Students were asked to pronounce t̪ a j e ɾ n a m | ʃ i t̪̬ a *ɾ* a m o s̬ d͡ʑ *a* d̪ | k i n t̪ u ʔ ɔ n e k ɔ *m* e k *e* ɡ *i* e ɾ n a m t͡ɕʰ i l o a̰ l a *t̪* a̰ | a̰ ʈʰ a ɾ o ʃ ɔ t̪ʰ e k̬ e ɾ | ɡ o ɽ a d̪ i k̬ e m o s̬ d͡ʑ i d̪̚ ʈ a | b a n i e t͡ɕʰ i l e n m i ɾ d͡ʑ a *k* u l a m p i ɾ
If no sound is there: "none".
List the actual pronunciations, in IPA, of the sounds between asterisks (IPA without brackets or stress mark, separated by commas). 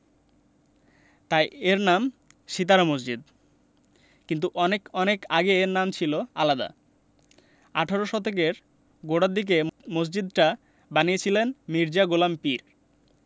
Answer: ɾ, i, n, a, e, d̪, ɡ